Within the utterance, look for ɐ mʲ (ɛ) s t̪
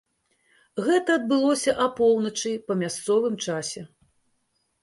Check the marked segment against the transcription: incorrect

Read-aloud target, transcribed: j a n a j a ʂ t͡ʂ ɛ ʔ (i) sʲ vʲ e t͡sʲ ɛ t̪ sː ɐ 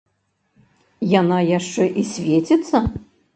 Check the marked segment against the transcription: correct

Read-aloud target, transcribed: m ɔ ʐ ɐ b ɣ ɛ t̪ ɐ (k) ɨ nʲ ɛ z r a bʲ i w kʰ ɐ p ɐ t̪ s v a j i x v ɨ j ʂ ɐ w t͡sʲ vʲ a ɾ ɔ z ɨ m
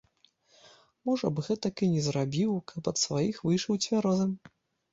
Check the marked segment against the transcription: correct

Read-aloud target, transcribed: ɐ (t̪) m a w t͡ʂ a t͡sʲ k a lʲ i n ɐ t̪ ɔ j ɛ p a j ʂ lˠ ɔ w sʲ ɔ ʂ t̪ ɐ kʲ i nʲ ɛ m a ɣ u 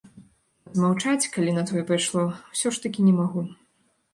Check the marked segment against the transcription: incorrect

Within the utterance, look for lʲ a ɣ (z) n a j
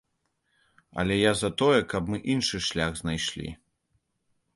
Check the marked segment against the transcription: correct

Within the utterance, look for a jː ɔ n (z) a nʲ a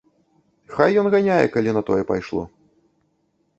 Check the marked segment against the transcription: incorrect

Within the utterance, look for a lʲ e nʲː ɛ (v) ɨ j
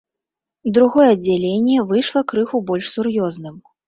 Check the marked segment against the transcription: correct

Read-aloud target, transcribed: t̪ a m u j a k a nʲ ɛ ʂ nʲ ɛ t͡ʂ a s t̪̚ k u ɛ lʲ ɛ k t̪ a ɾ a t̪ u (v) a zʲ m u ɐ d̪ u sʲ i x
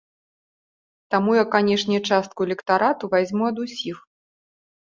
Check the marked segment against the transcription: correct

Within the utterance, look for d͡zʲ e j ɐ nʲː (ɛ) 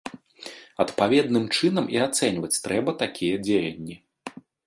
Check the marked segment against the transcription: incorrect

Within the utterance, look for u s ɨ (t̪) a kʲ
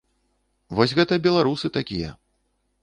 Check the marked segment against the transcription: correct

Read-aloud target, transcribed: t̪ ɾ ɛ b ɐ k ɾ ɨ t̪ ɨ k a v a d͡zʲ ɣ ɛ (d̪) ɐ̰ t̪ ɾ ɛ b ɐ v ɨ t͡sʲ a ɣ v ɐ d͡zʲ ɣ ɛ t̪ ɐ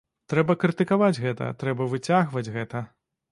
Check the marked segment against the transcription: incorrect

